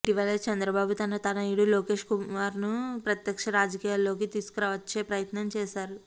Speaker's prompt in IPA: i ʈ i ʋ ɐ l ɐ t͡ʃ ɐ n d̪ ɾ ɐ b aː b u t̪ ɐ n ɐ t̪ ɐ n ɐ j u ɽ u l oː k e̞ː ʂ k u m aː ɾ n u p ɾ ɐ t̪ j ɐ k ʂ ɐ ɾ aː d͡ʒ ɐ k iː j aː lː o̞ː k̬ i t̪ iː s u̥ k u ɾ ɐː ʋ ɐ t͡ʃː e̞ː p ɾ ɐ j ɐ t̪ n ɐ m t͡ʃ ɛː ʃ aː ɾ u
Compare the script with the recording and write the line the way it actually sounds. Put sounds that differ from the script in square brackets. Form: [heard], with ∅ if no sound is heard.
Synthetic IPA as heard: i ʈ i ʋ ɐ l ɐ t͡ʃ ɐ n d̪ ɾ ɐ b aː b u t̪ ɐ n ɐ t̪ ɐ n ɐ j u ɽ u l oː k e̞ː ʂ k u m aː ɾ n u p ɾ ɐ t̪ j ɐ k ʂ ɐ ɾ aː d͡ʒ ɐ k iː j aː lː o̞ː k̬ i t̪ iː s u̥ k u ɾ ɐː ʋ ɐ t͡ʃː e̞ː p ɾ ɐ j ɐ t̪ n ɐ m t͡ʃ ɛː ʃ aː ɾ u